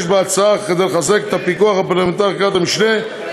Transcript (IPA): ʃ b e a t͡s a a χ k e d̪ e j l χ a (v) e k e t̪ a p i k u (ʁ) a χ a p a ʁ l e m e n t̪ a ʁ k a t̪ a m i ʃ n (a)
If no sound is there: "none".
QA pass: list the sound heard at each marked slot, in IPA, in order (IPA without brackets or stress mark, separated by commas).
z, none, e